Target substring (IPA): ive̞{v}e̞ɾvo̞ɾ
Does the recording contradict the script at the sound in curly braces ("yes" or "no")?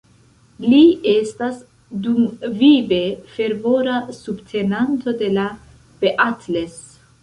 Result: yes